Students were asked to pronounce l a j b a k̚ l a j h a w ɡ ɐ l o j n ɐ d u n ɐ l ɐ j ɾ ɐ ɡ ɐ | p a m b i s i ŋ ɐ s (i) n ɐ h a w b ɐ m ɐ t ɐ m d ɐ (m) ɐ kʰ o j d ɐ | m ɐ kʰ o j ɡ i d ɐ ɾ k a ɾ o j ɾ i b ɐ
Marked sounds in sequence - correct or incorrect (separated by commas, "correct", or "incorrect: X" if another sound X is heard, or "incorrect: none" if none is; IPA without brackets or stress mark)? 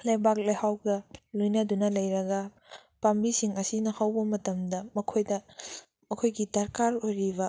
correct, correct